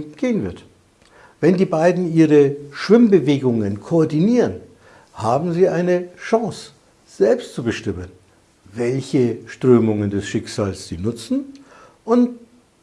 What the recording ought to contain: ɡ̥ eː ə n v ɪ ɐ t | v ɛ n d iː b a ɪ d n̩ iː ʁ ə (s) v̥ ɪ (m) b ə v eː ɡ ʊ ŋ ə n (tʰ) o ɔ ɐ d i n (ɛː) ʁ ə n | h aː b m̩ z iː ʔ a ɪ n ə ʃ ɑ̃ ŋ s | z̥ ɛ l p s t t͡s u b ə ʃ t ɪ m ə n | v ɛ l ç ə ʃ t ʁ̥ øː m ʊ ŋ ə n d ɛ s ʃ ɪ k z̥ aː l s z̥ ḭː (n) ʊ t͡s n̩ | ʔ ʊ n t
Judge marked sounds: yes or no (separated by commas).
no, yes, no, no, yes